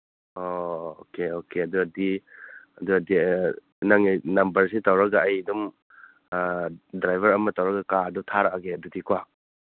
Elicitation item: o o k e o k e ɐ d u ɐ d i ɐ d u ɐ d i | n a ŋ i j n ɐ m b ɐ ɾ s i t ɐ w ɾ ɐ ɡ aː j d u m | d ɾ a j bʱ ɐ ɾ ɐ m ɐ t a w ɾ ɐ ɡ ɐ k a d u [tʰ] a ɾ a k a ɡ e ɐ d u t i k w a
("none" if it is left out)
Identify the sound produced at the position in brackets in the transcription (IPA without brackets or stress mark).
tʰ